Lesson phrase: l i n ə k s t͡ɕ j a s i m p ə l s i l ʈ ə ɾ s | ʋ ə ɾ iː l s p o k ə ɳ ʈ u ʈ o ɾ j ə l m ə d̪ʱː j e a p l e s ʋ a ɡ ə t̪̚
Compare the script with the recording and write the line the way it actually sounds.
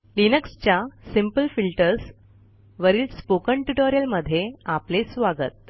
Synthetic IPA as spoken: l i n ə k s t͡ɕ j a s i m p ə l f i l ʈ ə ɾ s | ʋ ə ɾ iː l s p o k ə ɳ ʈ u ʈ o ɾ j ə l m ə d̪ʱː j e a p l e s ʋ a ɡ ə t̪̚